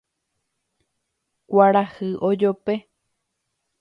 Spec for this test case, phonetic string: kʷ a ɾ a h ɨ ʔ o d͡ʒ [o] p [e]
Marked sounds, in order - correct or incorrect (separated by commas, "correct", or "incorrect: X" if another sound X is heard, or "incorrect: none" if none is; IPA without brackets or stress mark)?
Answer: correct, correct